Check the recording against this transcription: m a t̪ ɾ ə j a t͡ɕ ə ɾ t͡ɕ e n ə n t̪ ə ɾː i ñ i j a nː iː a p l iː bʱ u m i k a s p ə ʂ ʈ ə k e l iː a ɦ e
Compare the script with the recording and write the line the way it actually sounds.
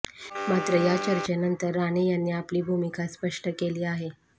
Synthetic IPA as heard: m a t̪ ɾ ə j a t͡ɕ ə ɾ t͡ɕ e n ə n t̪ ə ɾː a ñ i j a nː iː a p l iː bʱ u m i k a s p ə ʂ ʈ ə k e l iː a ɦ e

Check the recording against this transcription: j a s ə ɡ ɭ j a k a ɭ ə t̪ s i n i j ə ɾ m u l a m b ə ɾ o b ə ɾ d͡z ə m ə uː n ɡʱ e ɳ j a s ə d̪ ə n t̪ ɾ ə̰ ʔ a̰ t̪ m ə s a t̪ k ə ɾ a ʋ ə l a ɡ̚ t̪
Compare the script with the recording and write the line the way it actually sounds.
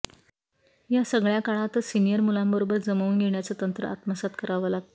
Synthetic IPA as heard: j a s ə ɡ ɭ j a k a ɭ a t̪ s i n i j ə ɾ m u l a m b ə ɾ o b ə ɾ d͡z ə m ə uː n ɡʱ e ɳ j a t͡s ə t̪ ə n t̪ ɾ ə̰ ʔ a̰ t̪ m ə s a t̪ k ə ɾ a ʋ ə l a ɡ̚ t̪

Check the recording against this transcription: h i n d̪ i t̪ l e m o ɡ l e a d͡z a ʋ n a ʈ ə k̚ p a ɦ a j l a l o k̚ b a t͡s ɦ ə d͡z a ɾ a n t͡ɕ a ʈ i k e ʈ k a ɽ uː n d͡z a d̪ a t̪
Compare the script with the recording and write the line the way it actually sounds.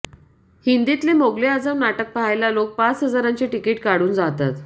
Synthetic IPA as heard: h i n d̪ i t̪ l e m o ɡ l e a d͡z a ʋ n a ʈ ə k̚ p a ɦ a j l a l o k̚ p a t͡s ɦ ə d͡z a ɾ a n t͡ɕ e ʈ i k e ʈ k a ɽ uː n d͡z a t̪ a t̪

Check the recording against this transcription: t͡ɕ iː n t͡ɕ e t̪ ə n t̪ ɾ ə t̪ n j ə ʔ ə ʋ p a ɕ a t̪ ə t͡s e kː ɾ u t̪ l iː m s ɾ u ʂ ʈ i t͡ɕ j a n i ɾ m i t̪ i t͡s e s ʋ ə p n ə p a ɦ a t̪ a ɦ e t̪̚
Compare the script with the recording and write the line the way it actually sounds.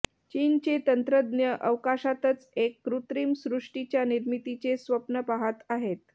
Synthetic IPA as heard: t͡ɕ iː n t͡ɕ e t̪ ə n t̪ ɾ ə d̪ n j ə ʔ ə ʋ k a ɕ a t̪ ə t͡s e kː ɾ u t̪ ɾ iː m s ɾ u ʂ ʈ i t͡ɕ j a n i ɾ m i t̪ i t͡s e s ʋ ə p n ə p a ɦ a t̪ a ɦ e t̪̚

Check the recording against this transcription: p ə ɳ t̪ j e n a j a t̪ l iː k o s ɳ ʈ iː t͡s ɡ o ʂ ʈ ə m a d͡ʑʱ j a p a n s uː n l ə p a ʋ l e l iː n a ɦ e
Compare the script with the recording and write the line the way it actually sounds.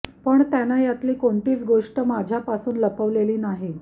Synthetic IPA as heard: p ə ɳ t̪ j a n a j a t̪ l iː k o ɳ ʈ iː t͡s ɡ o ʂ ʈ ə m a d͡ʑʱ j a p a s uː n l ə p ə ʋ l e l iː n a ɦ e

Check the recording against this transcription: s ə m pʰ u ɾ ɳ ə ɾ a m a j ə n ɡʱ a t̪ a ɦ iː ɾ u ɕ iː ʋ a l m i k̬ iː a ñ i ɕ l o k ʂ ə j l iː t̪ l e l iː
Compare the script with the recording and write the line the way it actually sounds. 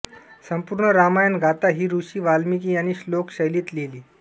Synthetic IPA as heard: s ə m p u ɾ ɳ ə ɾ a m a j ə n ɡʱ a t̪ a ɦ iː ɾ u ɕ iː ʋ a l m i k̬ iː a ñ i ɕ l o k ɕ ə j l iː t̪ l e l iː

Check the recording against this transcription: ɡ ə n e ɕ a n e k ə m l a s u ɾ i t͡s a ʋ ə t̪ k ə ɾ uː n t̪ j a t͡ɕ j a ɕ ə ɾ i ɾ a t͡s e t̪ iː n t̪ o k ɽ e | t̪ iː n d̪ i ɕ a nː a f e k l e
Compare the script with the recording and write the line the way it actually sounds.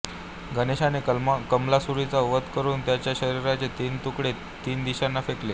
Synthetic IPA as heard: ɡ ə n e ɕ a n e k ə m l a s u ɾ i t͡s a ʋ ə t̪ k ə ɾ uː n t̪ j a t͡ɕ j a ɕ ə ɾ i ɾ a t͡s e t̪ iː n t̪ u k ɽ e | t̪ iː n d̪ i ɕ a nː a f e k l e

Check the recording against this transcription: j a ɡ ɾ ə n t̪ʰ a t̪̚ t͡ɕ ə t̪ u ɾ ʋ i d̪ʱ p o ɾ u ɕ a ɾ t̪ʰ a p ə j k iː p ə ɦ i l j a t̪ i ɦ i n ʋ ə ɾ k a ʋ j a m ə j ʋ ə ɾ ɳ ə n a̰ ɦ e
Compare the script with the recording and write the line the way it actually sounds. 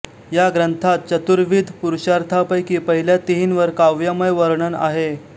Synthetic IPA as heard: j a ɡ ɾ ə n t̪ʰ a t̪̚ t͡ɕ ə t̪ u ɾ ʋ i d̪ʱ p u ɾ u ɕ a ɾ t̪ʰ a p ə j k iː p ə ɦ i l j a t̪ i ɦ i n ʋ ə ɾ k a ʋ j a m ə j ʋ ə ɾ ɳ ə n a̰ ɦ e

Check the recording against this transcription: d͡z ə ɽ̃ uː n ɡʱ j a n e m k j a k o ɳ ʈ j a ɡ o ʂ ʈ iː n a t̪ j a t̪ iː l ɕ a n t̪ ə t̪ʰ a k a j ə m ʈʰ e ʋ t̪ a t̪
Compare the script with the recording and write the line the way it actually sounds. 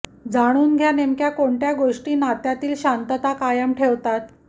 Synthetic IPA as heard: d͡z a ɽ̃ uː n ɡʱ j a n e m k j a k o ɳ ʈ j a ɡ o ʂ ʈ iː n a t̪ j a t̪ iː l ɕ a n t̪ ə t̪ a k a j ə m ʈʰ e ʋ t̪ a t̪

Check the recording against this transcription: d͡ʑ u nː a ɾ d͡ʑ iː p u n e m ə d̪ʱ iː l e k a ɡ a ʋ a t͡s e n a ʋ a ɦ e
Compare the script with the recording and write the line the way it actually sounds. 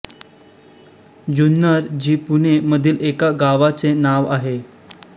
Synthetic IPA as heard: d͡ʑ u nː ə ɾ d͡ʑ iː p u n e m ə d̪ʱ iː l e k a ɡ a ʋ a t͡s e n a ʋ a ɦ e

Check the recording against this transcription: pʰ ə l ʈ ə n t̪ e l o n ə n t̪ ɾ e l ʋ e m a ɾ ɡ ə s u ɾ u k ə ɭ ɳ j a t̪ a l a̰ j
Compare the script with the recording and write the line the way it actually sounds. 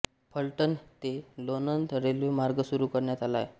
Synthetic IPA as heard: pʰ ə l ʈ ə n t̪ e l o n ə n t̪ ɾ e l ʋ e m a ɾ ɡ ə s u ɾ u k ə ɾ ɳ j a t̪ a l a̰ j

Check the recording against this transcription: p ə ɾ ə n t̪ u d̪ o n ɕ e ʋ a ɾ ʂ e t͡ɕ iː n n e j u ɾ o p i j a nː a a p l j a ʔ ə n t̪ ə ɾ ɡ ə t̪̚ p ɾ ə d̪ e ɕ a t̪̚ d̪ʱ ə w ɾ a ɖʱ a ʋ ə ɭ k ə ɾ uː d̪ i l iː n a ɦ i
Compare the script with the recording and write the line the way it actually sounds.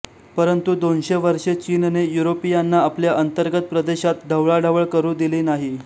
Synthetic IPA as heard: p ə ɾ ə n t̪ u d̪ o n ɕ e ʋ ə ɾ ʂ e t͡ɕ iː n n e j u ɾ o p i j a nː a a p l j a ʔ ə n t̪ ə ɾ ɡ ə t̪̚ p ɾ ə d̪ e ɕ a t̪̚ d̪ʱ ə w ɭ a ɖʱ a ʋ ə ɭ k ə ɾ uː d̪ i l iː n a ɦ i

